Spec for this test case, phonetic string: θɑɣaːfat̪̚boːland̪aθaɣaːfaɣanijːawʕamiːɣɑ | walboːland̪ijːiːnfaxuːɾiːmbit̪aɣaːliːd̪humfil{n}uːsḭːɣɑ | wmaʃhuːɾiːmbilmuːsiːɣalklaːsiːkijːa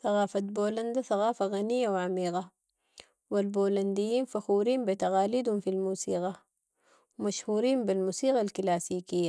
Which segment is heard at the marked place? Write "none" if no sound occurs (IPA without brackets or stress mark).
m